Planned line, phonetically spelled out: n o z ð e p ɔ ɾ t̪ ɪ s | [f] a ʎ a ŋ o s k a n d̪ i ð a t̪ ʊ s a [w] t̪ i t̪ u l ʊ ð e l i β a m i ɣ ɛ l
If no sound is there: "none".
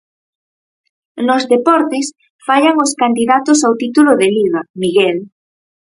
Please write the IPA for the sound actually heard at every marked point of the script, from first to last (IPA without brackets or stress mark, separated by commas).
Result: f, w